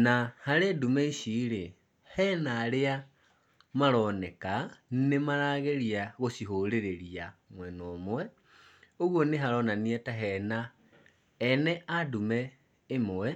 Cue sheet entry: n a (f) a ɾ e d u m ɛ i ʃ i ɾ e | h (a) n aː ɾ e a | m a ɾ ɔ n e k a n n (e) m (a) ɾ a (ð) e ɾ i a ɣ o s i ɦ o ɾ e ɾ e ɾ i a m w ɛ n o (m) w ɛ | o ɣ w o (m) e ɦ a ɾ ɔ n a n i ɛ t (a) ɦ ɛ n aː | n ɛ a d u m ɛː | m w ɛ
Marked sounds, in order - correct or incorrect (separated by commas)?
incorrect, incorrect, correct, correct, incorrect, correct, incorrect, correct